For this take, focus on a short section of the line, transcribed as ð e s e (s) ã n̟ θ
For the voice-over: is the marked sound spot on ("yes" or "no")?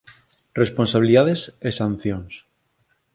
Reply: yes